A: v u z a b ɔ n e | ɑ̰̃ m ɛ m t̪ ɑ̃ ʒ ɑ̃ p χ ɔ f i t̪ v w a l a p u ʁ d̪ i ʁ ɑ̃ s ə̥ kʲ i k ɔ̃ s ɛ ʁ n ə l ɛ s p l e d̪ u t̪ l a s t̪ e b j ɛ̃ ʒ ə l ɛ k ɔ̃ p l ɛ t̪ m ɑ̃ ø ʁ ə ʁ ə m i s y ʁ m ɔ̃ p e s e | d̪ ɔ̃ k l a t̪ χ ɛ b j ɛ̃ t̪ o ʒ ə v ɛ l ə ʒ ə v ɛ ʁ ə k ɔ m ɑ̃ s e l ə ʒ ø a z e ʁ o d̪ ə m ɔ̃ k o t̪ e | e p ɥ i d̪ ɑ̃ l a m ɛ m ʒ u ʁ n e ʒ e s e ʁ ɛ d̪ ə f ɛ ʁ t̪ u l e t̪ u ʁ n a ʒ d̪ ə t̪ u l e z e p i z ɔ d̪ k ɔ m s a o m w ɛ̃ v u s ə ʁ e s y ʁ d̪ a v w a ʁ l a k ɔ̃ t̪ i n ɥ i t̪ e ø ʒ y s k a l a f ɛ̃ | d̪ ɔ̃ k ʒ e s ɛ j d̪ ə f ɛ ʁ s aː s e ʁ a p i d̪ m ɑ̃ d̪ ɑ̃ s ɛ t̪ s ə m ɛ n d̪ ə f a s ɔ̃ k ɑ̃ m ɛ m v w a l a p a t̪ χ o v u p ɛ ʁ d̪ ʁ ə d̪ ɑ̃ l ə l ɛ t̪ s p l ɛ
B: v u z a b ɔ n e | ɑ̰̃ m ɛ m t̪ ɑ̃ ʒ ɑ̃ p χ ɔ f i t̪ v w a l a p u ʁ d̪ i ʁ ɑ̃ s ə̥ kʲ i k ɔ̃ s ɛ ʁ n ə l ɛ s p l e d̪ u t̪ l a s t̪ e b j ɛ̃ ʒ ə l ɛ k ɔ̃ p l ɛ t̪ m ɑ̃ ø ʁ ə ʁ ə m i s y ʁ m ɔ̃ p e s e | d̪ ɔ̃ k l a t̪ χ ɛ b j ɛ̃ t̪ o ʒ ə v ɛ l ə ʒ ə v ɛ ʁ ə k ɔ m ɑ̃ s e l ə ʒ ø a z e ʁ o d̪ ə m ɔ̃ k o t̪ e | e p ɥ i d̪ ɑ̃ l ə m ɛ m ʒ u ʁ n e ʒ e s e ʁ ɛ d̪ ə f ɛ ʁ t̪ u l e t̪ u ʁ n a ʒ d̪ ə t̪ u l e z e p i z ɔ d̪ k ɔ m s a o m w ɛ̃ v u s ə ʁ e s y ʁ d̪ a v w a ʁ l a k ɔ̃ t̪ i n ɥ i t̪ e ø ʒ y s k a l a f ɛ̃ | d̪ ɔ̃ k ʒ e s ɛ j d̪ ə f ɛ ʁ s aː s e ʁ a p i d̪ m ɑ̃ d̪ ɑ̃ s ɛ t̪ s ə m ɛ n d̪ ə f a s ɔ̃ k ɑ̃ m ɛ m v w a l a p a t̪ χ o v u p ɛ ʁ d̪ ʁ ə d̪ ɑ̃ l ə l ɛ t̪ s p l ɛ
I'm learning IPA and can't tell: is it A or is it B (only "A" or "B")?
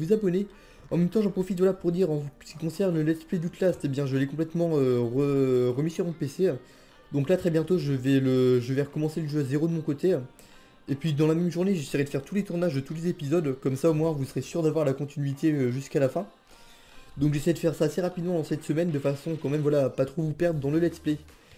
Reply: A